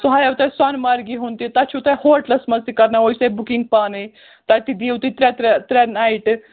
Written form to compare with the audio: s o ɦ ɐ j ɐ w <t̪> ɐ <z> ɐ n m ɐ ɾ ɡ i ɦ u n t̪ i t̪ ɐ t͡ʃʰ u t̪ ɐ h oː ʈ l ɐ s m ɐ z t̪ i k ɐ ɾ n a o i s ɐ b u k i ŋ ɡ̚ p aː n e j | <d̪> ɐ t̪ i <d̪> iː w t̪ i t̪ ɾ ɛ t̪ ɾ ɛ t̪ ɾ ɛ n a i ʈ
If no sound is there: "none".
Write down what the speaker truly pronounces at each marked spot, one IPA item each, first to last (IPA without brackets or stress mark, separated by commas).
t̪, s, t̪, d̪